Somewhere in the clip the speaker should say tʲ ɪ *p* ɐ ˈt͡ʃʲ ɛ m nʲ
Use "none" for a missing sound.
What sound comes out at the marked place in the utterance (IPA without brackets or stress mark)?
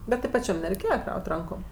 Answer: p